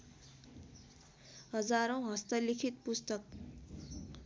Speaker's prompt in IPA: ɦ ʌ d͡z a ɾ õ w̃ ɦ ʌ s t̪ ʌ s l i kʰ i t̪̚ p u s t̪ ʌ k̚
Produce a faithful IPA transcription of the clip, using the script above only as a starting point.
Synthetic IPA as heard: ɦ ʌ d͡z a ɾ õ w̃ ɦ ʌ s t̪ ʌ l i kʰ i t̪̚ p u s t̪ ʌ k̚